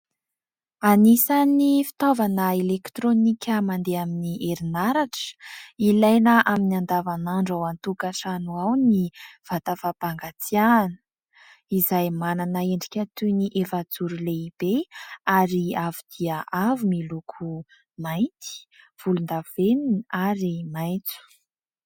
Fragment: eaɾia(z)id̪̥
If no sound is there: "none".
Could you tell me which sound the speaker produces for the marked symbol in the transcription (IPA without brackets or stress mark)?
v